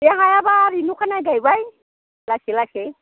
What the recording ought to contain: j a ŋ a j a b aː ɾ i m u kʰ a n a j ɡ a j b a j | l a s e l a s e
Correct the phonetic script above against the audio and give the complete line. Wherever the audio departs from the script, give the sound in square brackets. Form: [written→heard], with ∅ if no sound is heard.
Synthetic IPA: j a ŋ a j a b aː ɾ i [m→n] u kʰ a n a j ɡ a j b a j | l a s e l a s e